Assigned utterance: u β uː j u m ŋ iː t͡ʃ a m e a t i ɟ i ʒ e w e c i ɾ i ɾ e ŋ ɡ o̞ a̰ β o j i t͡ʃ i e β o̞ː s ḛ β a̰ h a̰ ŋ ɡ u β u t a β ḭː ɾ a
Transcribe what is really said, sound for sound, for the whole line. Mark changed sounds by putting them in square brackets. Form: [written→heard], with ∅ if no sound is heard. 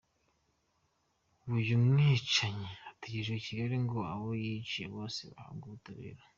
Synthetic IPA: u β [uː→u] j u m ŋ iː t͡ʃ a [m→ɲ] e a t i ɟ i ʒ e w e c i ɾ [i→e] ɾ e ŋ ɡ o̞ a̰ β o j i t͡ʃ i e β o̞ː s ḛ β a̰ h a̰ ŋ ɡ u β u t a β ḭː ɾ a